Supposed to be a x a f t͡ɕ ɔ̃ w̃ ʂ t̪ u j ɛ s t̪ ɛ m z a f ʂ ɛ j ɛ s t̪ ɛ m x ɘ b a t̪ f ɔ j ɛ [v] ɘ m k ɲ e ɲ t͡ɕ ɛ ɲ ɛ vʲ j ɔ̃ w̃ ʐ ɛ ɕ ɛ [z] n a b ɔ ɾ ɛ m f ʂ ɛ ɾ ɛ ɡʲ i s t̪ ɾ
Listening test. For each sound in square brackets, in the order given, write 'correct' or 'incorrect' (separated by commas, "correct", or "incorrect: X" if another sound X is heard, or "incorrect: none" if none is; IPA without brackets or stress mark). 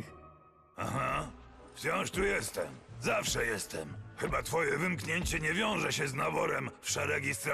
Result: correct, correct